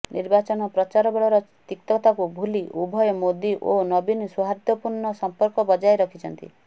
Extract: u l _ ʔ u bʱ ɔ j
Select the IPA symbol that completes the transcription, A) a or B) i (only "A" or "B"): B